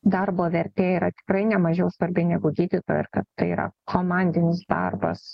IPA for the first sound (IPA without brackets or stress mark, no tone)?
d̪